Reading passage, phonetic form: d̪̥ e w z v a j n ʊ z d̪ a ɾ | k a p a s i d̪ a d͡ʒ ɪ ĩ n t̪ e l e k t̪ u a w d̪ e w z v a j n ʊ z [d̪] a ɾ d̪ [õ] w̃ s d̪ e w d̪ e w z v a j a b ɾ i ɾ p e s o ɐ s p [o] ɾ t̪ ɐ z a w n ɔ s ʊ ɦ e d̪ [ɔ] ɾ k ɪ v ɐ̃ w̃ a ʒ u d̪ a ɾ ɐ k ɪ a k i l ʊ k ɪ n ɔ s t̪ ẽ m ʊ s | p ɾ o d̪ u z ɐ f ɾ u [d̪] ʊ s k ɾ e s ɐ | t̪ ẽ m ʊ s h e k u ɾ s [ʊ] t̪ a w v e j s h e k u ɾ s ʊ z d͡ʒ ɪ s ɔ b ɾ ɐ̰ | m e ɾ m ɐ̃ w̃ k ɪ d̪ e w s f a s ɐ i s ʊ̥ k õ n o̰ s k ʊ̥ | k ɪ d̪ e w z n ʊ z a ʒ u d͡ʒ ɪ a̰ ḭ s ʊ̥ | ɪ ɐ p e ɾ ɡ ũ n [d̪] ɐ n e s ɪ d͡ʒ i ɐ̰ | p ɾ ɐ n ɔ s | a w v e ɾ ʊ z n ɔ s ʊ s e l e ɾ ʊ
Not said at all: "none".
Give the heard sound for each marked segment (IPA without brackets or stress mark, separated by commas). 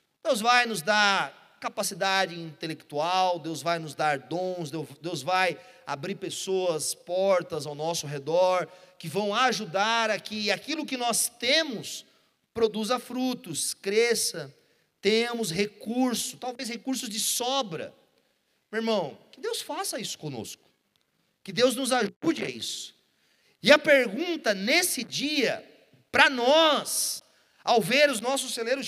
d̪, õ, ɔ, ɔ, t̪, ʊ, t̪